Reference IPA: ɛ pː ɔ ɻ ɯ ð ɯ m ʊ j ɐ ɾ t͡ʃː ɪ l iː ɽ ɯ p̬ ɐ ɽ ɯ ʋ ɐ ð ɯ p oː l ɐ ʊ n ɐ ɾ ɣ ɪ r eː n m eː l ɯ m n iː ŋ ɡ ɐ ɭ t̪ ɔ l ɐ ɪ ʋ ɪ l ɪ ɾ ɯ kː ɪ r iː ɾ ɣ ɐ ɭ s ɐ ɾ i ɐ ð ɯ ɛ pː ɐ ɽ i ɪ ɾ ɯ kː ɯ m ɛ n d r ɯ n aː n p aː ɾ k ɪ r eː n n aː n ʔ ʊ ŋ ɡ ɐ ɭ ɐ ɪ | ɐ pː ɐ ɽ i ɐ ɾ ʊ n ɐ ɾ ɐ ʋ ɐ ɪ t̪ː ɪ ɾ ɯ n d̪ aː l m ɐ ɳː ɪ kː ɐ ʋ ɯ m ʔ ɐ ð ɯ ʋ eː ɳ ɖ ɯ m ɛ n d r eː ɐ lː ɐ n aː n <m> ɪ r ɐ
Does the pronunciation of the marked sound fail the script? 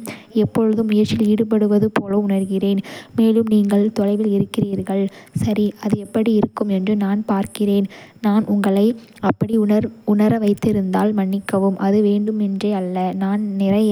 yes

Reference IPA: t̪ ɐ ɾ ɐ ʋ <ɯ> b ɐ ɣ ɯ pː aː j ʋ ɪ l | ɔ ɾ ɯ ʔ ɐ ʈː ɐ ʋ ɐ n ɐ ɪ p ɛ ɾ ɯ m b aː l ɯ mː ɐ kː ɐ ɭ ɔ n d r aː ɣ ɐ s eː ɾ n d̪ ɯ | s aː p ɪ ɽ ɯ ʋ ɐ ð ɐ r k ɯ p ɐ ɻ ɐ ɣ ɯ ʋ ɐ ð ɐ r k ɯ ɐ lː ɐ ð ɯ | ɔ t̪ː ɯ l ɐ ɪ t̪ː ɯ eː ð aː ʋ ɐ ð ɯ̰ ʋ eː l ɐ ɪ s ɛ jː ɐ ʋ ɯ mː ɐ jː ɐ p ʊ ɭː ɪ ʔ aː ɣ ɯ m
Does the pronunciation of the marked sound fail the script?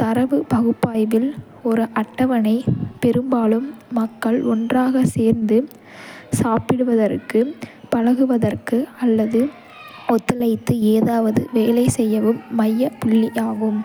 no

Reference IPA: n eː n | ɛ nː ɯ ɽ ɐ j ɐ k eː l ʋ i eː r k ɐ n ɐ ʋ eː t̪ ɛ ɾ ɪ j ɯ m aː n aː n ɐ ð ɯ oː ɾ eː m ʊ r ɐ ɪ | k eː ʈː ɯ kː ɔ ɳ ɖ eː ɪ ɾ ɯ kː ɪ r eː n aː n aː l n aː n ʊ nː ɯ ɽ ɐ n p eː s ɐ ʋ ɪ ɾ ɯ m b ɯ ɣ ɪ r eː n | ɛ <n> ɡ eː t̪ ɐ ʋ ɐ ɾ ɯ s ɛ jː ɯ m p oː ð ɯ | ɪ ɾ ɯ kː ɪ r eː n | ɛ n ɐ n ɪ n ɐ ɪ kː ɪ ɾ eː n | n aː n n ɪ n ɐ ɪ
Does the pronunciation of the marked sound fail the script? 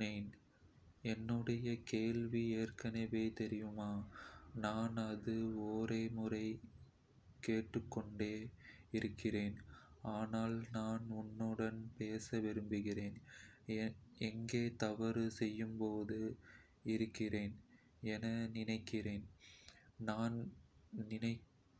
yes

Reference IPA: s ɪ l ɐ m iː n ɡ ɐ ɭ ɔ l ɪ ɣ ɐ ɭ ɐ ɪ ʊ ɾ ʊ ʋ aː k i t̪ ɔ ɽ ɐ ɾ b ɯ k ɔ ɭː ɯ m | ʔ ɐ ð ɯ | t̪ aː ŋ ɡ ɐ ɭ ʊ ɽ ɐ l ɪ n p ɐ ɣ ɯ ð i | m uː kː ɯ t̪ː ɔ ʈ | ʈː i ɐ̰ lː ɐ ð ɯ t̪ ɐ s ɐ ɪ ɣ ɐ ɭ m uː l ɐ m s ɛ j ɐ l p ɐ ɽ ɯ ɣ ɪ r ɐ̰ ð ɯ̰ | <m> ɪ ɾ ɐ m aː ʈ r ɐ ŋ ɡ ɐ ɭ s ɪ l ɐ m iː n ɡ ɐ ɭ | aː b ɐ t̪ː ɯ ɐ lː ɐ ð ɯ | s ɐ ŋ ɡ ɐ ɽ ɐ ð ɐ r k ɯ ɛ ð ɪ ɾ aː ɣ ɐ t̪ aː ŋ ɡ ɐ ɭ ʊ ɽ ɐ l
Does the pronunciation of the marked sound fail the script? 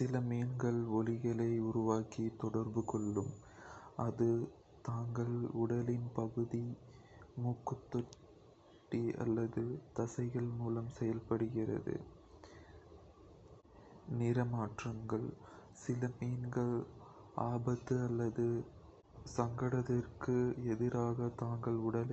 yes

